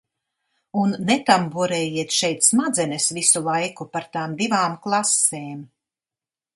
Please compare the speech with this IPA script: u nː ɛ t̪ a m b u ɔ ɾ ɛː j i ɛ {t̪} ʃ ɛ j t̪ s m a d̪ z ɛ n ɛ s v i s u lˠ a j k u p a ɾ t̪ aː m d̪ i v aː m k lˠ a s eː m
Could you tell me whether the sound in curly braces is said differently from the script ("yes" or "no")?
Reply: no